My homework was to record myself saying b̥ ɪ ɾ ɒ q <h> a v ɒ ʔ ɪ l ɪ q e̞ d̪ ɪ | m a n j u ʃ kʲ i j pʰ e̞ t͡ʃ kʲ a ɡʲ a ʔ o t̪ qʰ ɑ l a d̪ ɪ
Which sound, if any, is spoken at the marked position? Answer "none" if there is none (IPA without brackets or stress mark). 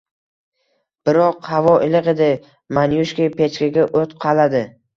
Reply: h